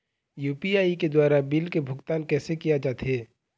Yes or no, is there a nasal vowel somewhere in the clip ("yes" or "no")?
no